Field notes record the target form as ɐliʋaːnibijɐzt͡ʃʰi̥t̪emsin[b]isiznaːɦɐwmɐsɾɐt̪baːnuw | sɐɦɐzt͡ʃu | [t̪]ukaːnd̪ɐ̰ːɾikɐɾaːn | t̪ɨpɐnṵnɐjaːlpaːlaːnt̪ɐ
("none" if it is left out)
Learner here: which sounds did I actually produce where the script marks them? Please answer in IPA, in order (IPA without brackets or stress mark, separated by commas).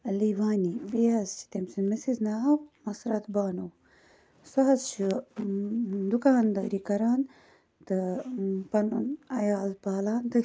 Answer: m, d̪